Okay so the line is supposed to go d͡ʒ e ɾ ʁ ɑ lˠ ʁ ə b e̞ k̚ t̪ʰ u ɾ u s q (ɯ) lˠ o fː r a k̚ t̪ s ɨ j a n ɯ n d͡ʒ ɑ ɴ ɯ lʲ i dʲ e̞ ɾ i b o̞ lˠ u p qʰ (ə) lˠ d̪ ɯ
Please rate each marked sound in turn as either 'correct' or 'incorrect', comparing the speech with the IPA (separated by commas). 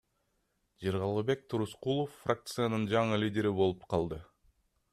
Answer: incorrect, incorrect